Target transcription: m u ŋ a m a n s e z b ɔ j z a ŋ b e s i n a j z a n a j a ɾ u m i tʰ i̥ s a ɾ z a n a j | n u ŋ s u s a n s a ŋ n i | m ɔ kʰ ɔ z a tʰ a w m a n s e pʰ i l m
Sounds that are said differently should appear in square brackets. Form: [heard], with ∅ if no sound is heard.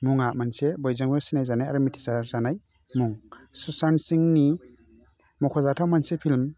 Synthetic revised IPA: m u ŋ a m a n s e [∅] b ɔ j z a ŋ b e s i n a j z a n a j a ɾ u m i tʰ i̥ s a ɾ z a n a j | [m] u ŋ s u s a n s [i] ŋ n i | m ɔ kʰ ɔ z a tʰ a w m a n s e pʰ i l m